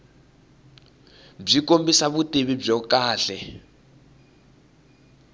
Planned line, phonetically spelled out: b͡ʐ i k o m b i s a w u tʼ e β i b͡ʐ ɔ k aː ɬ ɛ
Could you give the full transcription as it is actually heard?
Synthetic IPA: b͡ʐ i k o m b i s a β u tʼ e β i b͡ʐ ɔ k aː ɬ ɛ